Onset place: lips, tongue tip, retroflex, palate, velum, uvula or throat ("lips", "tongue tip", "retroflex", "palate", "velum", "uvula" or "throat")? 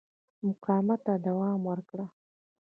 lips